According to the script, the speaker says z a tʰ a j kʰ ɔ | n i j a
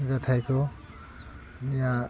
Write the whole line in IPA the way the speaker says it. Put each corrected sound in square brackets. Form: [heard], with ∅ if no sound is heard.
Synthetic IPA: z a tʰ a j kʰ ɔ | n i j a